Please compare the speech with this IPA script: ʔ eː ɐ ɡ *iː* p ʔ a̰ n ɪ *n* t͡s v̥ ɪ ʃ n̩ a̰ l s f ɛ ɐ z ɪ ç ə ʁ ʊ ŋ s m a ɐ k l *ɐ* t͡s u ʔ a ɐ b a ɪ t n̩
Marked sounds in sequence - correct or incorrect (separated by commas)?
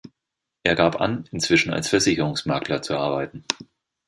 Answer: incorrect, correct, correct